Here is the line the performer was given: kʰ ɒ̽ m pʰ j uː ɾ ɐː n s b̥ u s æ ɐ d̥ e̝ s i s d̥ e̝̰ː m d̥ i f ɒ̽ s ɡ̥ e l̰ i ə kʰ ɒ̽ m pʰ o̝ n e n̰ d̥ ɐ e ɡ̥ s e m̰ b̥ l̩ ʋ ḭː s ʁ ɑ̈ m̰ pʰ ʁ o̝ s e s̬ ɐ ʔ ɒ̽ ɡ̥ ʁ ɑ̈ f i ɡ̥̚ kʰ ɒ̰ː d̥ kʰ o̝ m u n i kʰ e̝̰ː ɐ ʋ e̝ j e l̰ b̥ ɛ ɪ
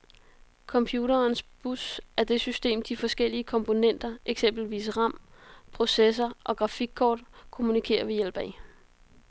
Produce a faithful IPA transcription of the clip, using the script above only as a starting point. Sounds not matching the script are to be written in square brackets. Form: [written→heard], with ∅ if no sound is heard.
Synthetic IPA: kʰ ɒ̽ m pʰ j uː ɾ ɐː n s b̥ u s æ ɐ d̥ e̝ s [i→y] s d̥ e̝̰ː m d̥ i f ɒ̽ s ɡ̥ e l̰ i ə kʰ ɒ̽ m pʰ o̝ n e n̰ d̥ ɐ e ɡ̥ s e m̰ b̥ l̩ ʋ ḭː s ʁ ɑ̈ m̰ pʰ ʁ o̝ s e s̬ ɐ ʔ ɒ̽ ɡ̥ ʁ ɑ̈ f i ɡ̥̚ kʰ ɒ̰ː d̥ kʰ o̝ m u n i kʰ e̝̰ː ɐ ʋ e̝ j e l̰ b̥ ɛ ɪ